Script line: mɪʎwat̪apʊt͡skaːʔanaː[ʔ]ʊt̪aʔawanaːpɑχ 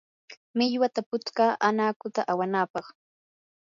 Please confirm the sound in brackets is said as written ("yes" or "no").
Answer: no